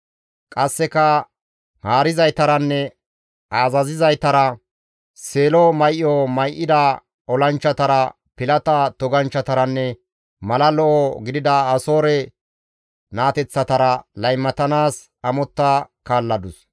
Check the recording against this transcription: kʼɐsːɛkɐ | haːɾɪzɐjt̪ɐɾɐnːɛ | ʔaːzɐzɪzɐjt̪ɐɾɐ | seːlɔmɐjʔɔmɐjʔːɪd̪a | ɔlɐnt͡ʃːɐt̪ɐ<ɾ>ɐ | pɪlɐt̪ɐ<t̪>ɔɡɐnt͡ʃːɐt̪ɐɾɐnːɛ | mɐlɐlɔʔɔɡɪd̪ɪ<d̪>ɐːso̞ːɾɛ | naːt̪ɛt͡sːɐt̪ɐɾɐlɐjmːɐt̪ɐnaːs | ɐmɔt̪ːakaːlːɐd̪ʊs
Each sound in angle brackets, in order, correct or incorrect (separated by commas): correct, correct, correct